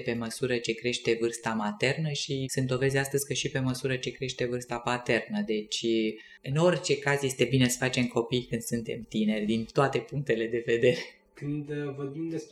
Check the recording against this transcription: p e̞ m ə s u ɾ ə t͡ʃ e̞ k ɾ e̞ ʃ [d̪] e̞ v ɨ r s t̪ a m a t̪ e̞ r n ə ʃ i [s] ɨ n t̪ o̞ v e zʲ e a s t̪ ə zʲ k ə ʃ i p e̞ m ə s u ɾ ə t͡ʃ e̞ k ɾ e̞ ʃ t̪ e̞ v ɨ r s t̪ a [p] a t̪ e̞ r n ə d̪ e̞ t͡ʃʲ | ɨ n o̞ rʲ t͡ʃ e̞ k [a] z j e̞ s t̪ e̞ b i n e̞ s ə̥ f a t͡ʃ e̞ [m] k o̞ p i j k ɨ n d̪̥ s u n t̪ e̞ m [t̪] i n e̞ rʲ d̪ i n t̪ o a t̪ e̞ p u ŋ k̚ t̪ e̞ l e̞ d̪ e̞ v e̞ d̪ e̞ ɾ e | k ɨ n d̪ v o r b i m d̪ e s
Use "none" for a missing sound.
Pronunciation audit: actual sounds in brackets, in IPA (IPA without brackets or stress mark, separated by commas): t̪, s, p, a, m, t̪